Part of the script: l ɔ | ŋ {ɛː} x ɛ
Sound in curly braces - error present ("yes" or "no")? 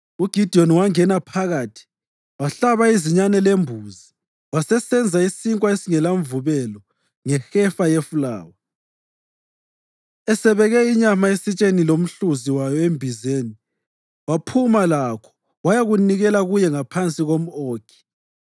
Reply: yes